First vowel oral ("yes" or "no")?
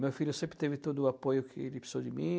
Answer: yes